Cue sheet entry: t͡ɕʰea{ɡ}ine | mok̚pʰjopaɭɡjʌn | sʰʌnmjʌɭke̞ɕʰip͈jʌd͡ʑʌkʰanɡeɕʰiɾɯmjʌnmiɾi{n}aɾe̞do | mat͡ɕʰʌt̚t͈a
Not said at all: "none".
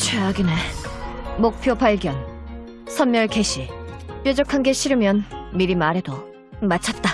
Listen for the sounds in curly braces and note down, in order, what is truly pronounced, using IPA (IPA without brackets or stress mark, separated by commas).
ɡ, m